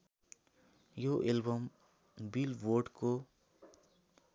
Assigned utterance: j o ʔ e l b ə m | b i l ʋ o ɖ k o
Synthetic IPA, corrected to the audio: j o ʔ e l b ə m | b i l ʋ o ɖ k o

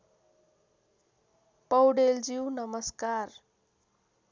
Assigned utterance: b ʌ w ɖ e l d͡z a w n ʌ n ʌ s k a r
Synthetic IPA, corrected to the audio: p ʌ w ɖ e l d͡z i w n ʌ m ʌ s k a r

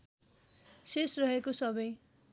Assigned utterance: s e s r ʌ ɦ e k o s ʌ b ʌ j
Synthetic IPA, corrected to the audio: s e s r ʌ ɦ e k o s ʌ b ʌ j

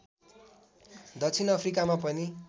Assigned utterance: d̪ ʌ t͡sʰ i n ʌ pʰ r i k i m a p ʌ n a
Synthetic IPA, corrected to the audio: d̪ ʌ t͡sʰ i n ʌ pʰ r i k a m a p ʌ n i

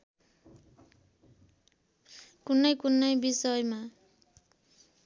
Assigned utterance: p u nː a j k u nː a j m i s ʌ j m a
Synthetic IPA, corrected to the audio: k u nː ʌ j k u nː ʌ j b i s ʌ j m a

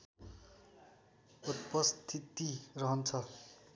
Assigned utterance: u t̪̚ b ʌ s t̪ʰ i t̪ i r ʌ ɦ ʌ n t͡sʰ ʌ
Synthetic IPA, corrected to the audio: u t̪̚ p ʌ s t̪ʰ i t̪ i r ʌ ɦ ʌ n t͡sʰ ʌ

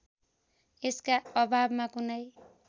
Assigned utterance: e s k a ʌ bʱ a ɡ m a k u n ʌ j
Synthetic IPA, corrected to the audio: e s k a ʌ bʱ a b m a k u n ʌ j

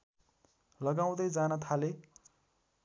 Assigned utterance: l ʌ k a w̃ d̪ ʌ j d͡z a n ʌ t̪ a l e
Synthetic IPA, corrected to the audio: l ʌ ɡ a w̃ d̪ ʌ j d͡z a n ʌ t̪ʰ a l e

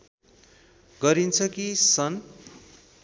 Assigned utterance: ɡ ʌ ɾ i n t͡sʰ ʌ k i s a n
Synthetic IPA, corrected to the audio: ɡ ʌ ɾ i n t͡sʰ ʌ k i s ʌ n

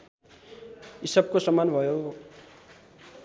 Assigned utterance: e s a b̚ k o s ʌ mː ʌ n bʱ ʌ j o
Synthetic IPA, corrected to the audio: i s ʌ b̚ k o s ʌ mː a n bʱ ʌ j o

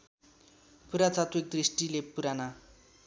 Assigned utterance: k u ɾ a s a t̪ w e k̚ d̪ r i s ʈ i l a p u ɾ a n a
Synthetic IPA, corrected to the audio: p u ɾ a t͡s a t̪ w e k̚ d̪ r i s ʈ i l e p u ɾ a n a

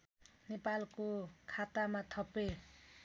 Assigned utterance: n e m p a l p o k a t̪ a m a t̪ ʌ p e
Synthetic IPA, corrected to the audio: n e p a l k o kʰ a t̪ a m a t̪ʰ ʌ p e

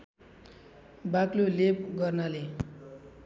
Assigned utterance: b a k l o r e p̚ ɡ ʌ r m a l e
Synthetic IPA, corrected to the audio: b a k l o l e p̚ ɡ ʌ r n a l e

